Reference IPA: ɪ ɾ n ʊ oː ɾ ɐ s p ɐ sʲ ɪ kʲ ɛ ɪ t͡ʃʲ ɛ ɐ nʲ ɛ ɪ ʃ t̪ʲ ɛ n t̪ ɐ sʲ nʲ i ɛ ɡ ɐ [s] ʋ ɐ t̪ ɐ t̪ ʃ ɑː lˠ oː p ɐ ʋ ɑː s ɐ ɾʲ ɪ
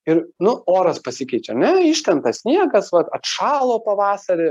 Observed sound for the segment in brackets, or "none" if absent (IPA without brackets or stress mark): s